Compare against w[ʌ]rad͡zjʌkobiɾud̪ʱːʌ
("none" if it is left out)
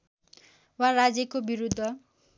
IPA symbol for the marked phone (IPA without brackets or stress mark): a